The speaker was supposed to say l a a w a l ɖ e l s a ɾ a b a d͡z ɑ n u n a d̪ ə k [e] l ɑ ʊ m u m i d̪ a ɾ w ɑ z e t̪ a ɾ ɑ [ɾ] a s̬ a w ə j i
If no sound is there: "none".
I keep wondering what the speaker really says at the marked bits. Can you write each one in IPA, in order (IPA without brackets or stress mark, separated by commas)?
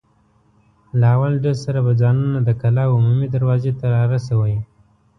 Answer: a, ɾ